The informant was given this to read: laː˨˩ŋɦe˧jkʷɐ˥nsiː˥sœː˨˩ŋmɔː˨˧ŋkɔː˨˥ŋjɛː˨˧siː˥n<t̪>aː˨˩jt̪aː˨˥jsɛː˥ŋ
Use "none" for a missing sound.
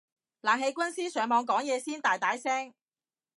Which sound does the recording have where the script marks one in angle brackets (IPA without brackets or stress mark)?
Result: t̪